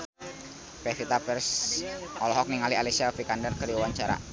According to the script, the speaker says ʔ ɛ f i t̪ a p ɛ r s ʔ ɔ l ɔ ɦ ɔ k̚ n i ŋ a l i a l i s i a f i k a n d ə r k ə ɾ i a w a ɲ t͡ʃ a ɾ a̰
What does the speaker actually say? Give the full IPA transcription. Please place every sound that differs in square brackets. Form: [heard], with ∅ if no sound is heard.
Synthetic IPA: [p] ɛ f i t̪ a p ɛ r s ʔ ɔ l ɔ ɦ ɔ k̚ n i ŋ a l i a l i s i a f i k a n d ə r k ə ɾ i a w a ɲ t͡ʃ a ɾ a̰

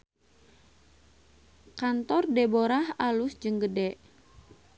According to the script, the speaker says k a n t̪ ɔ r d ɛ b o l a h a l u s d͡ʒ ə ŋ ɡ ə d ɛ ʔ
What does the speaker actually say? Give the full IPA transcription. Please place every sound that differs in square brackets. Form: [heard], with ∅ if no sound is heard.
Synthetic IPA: k a n t̪ ɔ r d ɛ b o [ɾ] a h a l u s d͡ʒ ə ŋ ɡ ə d ɛ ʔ

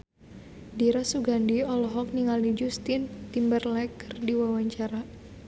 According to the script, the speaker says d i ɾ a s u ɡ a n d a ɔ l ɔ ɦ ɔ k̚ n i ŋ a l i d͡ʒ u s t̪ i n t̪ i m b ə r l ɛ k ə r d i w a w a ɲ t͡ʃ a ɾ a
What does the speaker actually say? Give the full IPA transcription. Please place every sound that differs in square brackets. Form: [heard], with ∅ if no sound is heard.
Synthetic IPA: d i ɾ a s u ɡ a n d [i] ɔ l ɔ ɦ ɔ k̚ n i ŋ a l i d͡ʒ u s t̪ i n t̪ i m b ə r l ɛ k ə r d i w a w a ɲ t͡ʃ a ɾ a

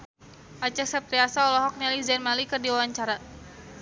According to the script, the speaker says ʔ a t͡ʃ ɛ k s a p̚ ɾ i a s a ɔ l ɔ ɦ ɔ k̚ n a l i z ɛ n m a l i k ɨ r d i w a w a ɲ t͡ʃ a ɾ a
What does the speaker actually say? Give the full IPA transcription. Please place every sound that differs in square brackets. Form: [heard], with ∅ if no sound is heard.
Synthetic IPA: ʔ a t͡ʃ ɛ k s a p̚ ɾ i a s a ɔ l ɔ ɦ ɔ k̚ n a l i z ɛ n m a l i k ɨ r d i w a w a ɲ t͡ʃ a ɾ a

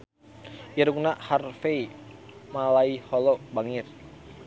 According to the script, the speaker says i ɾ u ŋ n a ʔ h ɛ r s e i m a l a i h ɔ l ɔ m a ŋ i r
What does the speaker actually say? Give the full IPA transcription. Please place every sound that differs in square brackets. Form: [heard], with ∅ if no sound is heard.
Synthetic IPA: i ɾ u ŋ n a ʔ h [a] r [f] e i m a l a i h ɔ l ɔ [b] a ŋ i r

